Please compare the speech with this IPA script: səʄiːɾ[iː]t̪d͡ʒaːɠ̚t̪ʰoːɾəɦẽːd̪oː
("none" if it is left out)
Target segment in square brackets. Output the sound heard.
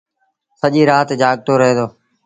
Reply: aː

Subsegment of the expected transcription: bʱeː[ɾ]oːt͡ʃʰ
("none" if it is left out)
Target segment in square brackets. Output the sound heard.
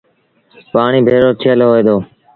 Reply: ɾ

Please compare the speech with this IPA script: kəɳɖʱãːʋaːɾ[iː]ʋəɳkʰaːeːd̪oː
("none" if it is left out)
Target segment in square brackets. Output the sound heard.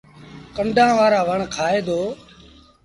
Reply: aː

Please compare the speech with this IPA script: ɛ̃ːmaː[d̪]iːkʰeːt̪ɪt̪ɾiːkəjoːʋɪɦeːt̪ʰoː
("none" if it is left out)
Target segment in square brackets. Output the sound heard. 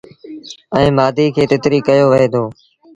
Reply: d̪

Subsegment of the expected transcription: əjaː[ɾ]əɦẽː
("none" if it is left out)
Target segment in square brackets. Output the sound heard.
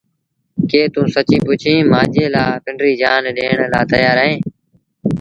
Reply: ɾ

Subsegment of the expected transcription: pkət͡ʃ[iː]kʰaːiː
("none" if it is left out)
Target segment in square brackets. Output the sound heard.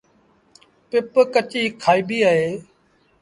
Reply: iː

